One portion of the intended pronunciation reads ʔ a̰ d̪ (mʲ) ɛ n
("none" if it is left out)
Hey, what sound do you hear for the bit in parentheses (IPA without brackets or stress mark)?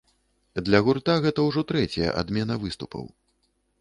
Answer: mʲ